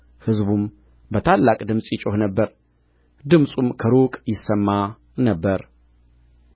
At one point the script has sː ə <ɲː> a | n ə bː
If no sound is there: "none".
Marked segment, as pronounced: mː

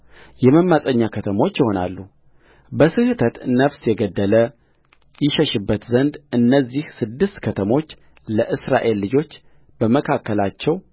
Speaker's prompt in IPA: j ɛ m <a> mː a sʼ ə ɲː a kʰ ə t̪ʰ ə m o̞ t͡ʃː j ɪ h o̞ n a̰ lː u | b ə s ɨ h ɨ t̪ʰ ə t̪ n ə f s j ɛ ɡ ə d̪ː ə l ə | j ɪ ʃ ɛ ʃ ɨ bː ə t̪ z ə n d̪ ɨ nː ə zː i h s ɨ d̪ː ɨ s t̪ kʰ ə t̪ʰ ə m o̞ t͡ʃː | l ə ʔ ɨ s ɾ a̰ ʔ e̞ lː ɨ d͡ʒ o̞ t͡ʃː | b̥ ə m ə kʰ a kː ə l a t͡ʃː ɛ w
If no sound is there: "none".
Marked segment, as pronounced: ə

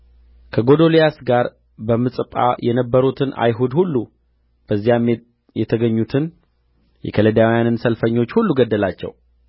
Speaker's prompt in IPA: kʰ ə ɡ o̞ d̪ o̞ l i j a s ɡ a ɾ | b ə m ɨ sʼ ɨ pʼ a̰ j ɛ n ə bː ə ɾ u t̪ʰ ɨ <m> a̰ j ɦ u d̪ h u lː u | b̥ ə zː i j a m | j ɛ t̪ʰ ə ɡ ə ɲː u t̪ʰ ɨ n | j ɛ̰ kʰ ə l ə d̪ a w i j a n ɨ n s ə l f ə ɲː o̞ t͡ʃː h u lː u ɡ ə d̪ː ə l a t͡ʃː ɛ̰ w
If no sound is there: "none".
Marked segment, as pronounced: n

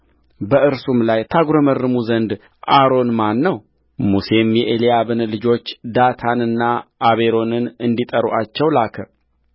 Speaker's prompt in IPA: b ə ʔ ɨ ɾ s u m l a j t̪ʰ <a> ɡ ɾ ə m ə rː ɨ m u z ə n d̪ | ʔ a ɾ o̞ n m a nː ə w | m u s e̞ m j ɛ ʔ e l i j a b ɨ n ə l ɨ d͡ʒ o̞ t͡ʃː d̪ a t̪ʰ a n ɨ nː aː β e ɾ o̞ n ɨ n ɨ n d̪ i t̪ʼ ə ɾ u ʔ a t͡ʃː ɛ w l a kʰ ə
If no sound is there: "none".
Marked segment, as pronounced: a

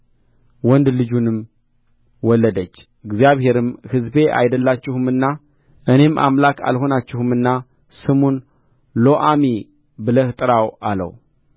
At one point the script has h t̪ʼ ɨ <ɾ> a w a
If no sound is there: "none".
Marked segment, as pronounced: ɾ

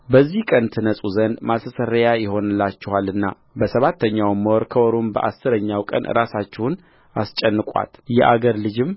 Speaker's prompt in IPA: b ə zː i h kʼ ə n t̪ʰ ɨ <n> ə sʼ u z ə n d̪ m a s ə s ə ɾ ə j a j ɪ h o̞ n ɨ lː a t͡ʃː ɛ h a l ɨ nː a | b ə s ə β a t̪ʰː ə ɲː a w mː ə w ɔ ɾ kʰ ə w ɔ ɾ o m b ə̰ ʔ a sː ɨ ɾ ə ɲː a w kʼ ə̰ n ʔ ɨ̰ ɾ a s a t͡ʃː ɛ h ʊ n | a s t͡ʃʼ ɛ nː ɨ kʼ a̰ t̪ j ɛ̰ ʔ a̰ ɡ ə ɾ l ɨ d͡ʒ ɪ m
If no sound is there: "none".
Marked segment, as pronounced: n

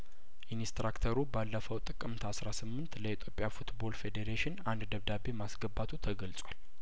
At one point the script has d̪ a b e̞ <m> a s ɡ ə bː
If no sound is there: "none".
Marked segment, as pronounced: m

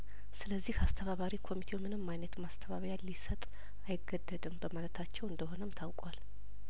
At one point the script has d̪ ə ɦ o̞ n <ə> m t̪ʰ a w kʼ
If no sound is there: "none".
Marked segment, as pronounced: ə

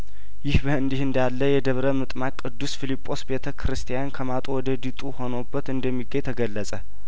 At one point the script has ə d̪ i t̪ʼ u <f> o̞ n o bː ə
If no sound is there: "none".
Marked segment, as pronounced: h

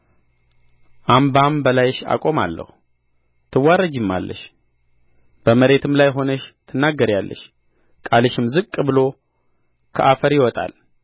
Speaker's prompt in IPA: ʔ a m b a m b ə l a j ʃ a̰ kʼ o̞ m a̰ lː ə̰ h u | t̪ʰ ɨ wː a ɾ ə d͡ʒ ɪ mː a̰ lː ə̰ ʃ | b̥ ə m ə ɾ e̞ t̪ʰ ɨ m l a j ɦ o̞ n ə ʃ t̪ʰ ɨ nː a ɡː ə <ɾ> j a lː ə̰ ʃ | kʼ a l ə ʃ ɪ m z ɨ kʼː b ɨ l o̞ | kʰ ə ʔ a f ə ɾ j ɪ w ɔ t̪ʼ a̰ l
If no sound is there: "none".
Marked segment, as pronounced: ɾ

